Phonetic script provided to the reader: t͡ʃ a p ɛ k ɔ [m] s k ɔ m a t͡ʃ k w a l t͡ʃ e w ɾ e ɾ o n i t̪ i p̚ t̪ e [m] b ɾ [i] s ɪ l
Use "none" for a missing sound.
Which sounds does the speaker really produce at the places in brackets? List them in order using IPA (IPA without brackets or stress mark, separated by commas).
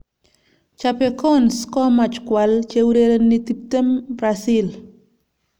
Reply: n, m, a